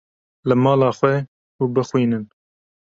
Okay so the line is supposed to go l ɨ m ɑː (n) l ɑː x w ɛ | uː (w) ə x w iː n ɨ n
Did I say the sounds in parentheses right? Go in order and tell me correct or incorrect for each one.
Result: incorrect: none, incorrect: b

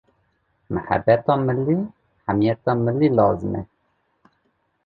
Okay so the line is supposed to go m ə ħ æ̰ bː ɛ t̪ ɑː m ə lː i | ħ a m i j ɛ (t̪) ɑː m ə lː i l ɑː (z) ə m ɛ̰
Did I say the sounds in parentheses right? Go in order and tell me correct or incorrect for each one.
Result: correct, correct

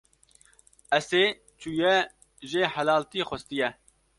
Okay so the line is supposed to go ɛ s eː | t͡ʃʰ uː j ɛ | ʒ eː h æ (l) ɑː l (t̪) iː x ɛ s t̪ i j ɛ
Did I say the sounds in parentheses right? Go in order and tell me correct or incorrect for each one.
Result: correct, correct

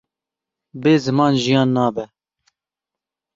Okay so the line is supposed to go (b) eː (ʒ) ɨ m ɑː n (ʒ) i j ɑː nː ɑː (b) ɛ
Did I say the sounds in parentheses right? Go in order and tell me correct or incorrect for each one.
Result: correct, incorrect: z, correct, correct

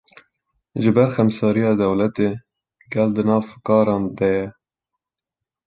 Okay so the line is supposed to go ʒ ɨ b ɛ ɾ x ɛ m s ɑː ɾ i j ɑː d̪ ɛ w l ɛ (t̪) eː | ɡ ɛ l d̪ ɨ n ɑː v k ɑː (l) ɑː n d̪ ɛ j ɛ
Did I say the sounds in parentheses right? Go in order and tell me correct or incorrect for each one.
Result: correct, incorrect: ɾ

